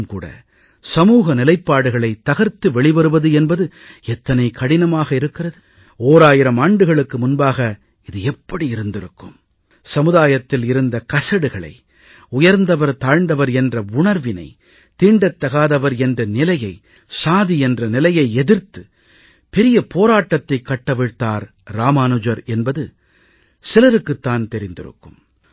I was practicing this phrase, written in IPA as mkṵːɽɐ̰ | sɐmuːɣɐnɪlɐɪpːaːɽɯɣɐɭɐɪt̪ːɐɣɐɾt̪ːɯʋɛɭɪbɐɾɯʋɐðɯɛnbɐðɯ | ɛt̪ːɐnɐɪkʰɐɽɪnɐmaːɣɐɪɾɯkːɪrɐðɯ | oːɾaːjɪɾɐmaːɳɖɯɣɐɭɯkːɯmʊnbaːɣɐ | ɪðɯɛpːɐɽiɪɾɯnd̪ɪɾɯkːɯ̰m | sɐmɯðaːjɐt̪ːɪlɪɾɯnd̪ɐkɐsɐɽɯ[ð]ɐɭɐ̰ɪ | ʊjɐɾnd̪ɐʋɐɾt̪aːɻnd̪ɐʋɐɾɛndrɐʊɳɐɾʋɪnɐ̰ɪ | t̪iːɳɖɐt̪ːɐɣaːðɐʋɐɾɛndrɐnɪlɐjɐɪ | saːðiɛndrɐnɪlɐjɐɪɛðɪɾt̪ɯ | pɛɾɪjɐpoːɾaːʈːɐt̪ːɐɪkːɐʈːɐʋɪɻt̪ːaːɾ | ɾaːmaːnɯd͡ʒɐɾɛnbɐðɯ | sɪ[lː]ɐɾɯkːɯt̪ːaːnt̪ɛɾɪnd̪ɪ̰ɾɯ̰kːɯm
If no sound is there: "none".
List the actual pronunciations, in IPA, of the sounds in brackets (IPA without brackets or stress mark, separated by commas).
ɣ, l